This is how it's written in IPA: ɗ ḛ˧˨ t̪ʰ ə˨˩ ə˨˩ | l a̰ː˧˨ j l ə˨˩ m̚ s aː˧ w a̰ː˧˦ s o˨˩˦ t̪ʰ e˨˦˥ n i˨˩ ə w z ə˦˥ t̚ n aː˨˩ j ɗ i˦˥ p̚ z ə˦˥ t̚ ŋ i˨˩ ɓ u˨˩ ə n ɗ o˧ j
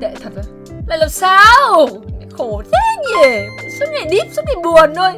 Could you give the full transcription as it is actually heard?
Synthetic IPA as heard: ɗ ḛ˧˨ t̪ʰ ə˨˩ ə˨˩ | l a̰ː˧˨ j l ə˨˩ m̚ s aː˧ w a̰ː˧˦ x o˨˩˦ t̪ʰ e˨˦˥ ɲ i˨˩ ə w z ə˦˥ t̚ ŋ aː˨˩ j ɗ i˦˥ p̚ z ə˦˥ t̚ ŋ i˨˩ ɓ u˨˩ ə n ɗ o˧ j